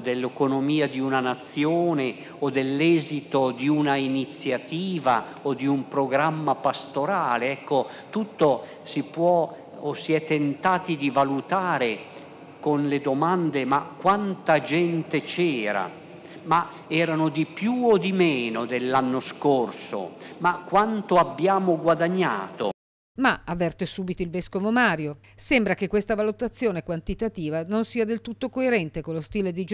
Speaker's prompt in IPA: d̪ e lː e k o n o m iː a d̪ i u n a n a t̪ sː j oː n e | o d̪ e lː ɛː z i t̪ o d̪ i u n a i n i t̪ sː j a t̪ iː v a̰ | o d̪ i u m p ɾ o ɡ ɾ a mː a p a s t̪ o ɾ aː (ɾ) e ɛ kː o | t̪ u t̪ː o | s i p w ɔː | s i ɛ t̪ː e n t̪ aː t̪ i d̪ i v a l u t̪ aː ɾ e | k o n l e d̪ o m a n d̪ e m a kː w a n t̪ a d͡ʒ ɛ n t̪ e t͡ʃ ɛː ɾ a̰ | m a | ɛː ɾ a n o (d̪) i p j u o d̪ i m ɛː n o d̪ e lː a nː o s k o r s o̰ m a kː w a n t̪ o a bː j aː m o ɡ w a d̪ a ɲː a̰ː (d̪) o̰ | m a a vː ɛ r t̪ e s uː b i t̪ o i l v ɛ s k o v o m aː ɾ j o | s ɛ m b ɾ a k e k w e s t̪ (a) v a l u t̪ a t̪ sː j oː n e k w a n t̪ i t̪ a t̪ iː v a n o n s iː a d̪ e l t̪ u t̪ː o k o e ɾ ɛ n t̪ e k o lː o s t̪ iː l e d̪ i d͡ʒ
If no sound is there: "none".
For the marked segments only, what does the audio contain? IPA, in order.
l, d̪, t̪, a

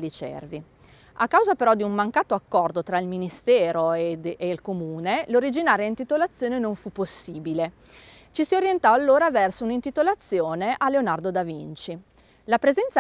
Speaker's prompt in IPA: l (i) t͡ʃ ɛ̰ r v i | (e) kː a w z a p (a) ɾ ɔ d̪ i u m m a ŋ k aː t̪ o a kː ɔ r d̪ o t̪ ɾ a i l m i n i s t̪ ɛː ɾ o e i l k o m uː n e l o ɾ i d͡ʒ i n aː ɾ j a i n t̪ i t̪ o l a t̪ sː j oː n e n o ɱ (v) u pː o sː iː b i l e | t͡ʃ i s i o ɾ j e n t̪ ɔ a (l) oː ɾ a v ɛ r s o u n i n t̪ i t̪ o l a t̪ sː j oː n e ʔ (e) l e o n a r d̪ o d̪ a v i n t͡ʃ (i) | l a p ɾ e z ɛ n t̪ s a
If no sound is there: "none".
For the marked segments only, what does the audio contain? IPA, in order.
i, a, e, f, lː, a, i

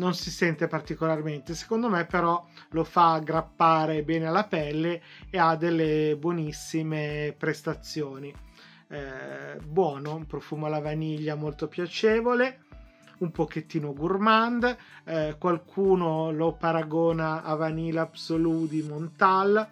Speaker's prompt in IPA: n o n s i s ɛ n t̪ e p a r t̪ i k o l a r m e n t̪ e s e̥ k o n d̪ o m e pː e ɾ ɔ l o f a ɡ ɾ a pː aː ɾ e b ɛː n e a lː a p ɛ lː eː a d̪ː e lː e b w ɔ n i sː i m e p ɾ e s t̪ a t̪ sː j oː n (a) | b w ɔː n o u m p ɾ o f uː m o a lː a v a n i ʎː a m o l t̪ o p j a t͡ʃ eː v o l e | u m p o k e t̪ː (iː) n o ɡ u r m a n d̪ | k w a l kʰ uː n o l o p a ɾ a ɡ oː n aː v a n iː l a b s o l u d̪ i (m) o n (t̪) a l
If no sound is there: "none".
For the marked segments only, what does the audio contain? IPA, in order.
i, iː, m, t̪

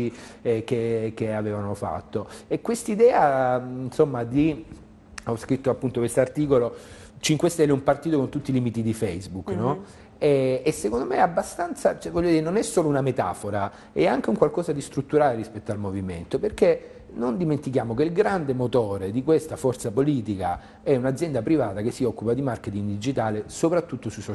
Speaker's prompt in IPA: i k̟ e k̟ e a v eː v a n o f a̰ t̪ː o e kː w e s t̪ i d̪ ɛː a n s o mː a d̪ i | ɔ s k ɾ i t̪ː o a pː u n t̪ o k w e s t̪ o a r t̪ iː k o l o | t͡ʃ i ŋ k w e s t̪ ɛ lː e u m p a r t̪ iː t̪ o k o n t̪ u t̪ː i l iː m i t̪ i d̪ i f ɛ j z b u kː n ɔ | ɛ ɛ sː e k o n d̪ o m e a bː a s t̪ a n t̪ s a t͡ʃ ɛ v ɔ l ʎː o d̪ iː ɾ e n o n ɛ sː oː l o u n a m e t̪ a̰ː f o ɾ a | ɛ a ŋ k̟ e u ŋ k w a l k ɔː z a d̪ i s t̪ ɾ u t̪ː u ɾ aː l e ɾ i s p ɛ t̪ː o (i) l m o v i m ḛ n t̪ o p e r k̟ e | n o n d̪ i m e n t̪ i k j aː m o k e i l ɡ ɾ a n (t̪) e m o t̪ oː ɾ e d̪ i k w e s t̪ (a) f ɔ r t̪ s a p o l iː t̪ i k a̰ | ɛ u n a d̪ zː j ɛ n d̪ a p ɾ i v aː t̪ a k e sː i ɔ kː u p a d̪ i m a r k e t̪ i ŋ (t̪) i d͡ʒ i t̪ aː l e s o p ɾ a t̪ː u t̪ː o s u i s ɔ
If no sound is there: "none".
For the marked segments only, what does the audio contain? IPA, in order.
a, d̪, a, d̪

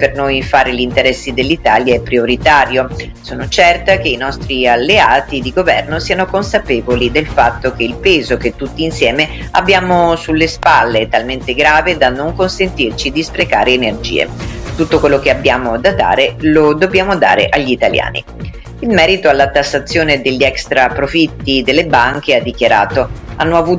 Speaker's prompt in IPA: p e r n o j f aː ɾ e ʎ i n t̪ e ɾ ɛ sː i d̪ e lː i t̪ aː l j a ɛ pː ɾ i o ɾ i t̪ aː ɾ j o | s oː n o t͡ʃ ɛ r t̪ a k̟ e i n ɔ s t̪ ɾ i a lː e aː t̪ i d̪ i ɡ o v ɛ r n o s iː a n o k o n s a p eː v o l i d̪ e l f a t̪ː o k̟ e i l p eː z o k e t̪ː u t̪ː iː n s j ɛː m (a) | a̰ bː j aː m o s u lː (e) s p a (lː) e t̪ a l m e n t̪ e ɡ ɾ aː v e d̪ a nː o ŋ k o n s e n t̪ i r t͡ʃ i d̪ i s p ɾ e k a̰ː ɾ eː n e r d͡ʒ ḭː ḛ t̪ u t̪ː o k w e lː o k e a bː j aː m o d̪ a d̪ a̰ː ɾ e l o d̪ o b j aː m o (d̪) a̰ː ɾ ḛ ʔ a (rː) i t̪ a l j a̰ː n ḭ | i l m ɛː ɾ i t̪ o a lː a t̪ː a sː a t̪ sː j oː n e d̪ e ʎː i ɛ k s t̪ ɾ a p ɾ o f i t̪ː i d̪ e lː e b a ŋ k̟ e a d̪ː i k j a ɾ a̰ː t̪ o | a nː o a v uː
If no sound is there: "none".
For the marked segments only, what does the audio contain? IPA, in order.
e, e, lː, d̪, ʎː

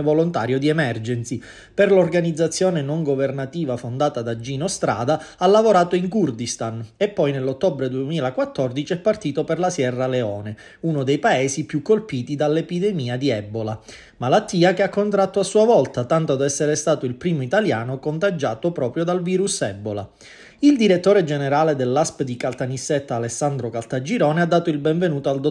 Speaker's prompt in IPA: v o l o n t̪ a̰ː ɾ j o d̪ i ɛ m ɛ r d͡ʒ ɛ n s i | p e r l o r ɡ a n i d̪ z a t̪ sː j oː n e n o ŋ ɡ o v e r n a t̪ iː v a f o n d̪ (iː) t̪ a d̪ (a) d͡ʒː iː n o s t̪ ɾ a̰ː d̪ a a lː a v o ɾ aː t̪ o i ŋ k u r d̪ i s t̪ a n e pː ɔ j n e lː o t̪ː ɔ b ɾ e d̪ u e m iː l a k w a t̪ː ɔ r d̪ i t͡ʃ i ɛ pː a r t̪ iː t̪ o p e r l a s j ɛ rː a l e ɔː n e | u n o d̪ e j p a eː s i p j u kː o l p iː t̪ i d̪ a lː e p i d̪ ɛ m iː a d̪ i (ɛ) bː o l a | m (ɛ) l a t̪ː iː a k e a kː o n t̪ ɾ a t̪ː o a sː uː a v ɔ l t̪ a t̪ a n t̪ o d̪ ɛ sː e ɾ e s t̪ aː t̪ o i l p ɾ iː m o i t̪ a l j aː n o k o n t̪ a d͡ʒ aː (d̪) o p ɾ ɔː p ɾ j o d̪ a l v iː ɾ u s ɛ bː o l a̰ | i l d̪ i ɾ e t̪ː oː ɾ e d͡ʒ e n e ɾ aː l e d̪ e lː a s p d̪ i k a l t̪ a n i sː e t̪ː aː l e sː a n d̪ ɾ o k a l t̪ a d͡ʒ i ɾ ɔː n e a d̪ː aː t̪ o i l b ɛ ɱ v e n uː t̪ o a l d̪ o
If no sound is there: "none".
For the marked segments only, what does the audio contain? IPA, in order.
aː, a, ɛ, a, t̪

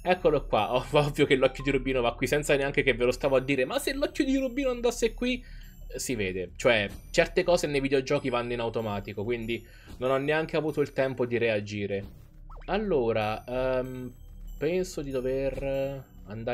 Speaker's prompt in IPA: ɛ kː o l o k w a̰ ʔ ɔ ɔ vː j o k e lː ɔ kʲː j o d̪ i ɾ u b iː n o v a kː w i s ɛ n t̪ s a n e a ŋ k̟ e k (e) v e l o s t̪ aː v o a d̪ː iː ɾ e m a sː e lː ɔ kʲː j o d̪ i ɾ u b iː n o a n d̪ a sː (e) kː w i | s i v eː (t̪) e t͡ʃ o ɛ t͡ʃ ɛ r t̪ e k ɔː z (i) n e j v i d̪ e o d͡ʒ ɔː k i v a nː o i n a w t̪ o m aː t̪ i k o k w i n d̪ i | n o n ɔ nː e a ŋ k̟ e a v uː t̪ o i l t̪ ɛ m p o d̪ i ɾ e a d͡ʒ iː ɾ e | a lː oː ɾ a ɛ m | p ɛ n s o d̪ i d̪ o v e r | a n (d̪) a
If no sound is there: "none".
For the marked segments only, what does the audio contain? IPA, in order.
e, e, d̪, e, d̪

